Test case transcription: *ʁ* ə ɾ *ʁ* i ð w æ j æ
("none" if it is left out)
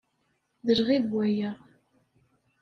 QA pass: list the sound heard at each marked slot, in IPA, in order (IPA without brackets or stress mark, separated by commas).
ð, ʁ